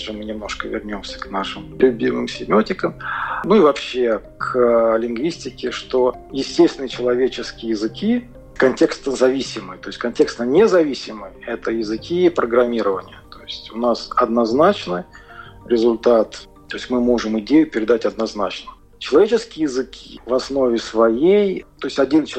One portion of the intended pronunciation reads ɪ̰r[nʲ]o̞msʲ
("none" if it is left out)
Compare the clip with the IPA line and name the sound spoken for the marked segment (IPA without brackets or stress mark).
nʲ